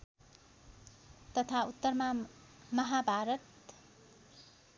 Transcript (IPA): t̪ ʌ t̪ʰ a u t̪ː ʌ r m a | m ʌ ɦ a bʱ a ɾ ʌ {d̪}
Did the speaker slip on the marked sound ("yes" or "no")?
yes